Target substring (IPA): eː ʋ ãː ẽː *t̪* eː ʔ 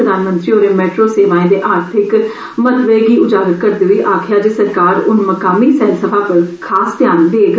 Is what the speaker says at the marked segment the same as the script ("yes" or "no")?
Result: no